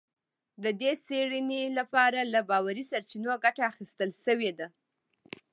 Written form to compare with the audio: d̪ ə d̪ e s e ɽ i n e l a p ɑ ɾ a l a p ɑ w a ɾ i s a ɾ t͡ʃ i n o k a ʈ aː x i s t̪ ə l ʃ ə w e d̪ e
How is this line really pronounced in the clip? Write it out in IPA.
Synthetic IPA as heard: d̪ ə d̪ e s e ɽ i n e l a p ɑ ɾ a l a b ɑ w a ɾ i s a ɾ t͡ʃ i n o ɡ a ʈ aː x i s t̪ ə l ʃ ə w e d̪ a